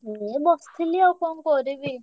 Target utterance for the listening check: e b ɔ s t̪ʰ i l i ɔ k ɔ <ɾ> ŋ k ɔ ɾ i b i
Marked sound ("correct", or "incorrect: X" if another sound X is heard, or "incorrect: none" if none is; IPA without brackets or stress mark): incorrect: none